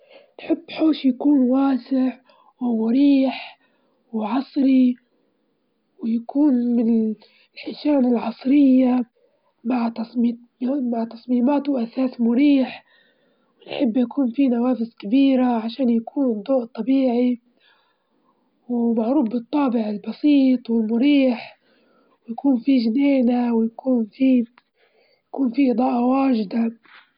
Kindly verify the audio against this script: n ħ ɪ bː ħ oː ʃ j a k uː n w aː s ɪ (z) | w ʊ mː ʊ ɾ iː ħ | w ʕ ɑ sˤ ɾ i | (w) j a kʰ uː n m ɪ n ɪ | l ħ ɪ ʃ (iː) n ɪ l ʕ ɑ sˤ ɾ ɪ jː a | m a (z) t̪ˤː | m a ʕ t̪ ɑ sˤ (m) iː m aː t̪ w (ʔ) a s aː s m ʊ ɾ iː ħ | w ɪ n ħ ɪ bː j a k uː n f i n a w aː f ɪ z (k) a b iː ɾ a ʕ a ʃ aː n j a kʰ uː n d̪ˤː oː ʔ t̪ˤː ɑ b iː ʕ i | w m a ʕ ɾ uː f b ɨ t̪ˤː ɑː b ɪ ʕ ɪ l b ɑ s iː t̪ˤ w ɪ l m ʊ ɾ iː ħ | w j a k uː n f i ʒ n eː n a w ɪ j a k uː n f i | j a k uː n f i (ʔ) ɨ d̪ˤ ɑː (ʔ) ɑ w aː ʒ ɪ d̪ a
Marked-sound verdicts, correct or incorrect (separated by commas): incorrect, correct, incorrect, incorrect, correct, correct, correct, correct, correct